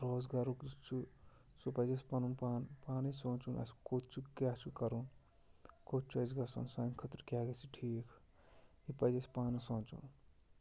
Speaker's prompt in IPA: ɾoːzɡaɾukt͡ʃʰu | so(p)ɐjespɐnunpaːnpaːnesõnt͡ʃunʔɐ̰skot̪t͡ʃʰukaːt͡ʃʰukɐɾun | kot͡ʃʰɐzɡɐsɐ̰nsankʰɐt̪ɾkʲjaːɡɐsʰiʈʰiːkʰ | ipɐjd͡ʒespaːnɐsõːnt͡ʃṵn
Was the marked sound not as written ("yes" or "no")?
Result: no